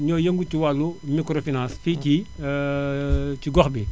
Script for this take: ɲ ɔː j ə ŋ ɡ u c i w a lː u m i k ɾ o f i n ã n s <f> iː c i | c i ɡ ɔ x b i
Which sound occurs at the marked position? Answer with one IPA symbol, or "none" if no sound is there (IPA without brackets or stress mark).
f